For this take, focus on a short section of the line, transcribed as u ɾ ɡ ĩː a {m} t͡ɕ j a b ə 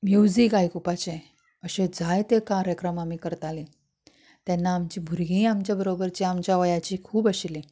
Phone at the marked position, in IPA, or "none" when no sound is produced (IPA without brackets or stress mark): m